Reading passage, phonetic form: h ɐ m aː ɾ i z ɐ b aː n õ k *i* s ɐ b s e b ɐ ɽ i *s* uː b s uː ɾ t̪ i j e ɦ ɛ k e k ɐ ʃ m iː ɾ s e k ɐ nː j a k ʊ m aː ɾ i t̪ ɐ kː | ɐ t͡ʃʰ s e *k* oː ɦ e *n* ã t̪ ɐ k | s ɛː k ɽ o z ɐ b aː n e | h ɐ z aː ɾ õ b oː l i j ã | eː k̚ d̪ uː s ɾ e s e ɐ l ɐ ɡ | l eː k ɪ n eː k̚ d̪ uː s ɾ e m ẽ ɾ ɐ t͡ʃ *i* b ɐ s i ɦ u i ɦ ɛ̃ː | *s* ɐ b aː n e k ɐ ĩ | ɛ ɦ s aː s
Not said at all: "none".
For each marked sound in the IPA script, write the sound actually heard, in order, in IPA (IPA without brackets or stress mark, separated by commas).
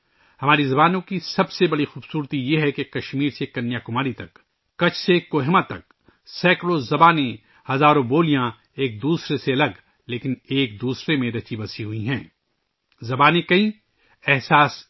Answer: i, x, k, m, i, z